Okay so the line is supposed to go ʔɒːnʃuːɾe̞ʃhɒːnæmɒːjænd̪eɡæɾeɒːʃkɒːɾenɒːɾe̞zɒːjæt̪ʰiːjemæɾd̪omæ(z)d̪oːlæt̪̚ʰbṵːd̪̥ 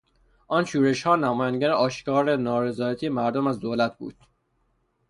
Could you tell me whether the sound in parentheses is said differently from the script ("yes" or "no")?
no